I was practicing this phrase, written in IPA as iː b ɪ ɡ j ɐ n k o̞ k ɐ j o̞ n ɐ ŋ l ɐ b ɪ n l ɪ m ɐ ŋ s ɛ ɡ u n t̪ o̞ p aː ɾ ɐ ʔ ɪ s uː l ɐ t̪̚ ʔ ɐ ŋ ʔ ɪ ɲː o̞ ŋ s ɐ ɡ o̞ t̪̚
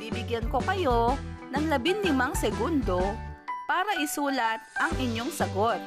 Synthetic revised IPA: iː b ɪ ɡ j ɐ n k o̞ k ɐ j o̞ n ɐ ŋ l ɐ b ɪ n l ɪ m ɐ ŋ s ɛ ɡ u n d̪ o̞ p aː ɾ ɐ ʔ ɪ s uː l ɐ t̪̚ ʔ ɐ ŋ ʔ ɪ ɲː o̞ ŋ s ɐ ɡ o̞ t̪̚